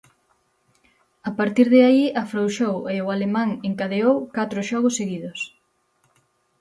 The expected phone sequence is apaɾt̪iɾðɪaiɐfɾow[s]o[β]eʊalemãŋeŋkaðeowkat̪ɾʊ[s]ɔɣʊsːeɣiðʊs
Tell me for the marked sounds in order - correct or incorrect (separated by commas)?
incorrect, incorrect, incorrect